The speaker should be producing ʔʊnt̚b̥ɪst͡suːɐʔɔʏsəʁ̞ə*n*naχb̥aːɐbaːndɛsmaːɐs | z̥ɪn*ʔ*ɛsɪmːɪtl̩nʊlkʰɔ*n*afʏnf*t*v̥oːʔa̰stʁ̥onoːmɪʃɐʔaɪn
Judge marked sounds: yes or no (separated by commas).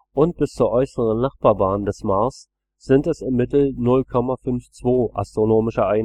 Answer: yes, no, no, no